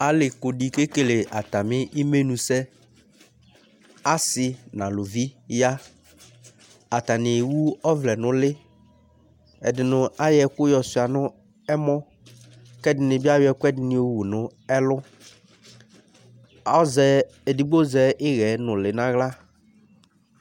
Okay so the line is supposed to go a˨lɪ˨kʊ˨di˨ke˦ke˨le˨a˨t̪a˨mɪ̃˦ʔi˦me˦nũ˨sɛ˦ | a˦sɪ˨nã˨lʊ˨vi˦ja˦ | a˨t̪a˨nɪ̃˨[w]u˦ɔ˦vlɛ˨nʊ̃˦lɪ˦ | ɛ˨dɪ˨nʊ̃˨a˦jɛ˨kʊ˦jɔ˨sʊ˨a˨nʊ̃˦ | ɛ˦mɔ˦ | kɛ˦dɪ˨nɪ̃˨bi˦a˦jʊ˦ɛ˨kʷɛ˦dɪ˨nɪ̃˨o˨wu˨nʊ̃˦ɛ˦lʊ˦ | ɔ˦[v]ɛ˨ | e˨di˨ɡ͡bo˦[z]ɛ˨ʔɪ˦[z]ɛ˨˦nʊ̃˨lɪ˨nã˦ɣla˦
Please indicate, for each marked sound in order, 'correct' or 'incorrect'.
correct, incorrect, correct, incorrect

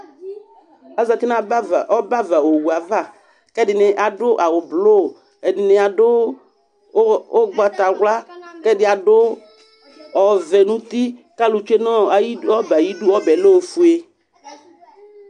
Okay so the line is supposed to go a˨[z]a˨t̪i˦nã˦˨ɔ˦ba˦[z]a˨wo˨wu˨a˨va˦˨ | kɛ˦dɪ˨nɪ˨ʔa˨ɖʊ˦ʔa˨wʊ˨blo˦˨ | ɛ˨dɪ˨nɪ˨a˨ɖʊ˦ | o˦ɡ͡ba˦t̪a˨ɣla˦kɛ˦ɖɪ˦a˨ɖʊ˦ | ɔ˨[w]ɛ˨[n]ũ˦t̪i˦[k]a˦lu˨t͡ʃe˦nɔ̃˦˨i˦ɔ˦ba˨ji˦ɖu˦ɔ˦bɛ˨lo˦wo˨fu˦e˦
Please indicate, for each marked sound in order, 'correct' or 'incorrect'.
correct, incorrect, incorrect, correct, correct

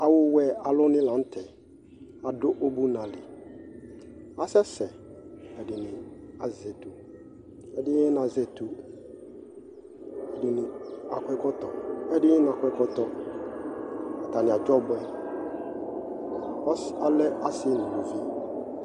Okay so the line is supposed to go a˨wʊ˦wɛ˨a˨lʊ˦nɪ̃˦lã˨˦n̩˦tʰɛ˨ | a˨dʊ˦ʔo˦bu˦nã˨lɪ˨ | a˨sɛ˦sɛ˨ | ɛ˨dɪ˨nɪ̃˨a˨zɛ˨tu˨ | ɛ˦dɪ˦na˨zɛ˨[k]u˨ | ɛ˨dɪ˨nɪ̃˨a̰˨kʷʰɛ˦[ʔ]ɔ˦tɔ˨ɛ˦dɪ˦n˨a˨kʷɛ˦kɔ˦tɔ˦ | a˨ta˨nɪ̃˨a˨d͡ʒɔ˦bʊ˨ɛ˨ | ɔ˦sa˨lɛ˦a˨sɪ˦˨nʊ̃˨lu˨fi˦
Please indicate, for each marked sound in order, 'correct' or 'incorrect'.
incorrect, incorrect

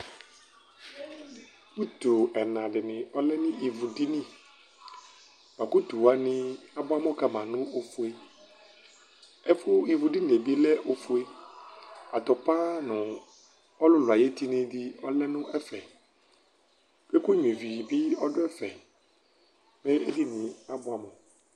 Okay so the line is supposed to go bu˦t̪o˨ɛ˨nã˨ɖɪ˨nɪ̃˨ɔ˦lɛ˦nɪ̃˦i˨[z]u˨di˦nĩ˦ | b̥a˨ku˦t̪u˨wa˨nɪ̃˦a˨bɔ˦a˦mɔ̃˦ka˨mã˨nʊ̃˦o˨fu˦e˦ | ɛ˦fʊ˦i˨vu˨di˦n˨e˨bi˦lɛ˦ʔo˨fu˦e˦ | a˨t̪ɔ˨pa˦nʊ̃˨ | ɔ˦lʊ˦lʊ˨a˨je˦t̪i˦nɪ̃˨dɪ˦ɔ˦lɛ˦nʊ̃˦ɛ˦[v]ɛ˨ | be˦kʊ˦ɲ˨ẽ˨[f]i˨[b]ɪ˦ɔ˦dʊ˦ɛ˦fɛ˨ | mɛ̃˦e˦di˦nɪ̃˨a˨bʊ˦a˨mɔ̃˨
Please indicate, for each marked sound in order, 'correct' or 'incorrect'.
incorrect, incorrect, incorrect, correct

